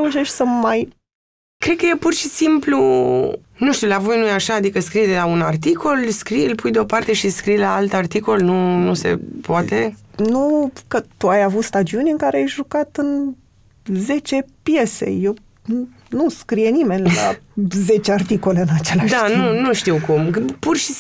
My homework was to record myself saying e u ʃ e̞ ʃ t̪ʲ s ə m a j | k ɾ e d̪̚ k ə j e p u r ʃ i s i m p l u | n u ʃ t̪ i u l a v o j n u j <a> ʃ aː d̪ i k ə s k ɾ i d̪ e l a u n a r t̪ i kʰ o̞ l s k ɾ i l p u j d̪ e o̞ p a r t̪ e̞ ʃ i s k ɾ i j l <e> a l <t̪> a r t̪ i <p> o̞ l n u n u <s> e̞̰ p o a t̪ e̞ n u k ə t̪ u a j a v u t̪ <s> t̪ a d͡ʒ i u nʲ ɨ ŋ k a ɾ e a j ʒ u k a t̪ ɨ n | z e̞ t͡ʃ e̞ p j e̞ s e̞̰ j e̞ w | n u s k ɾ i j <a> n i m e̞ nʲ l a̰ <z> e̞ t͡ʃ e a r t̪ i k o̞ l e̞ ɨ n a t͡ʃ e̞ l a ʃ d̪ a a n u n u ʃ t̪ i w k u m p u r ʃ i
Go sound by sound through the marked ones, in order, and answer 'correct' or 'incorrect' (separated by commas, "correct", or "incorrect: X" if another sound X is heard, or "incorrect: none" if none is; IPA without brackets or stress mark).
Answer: correct, incorrect: a, correct, incorrect: k, correct, correct, incorrect: e, correct